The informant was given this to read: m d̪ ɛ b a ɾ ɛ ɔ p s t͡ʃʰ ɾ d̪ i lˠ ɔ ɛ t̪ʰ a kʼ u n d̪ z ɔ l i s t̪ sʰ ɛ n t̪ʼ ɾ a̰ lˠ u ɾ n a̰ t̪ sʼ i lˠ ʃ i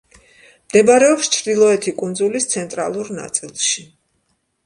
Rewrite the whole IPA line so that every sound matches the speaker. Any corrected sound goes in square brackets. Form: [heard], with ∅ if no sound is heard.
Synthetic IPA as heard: m d̪ ɛ b a ɾ ɛ ɔ p s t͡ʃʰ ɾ d̪ i lˠ ɔ ɛ t̪ʰ [i] kʼ u n d̪ z [u] l i s t̪ sʰ ɛ n t̪ʼ ɾ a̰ lˠ u ɾ n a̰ t̪ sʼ i lˠ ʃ i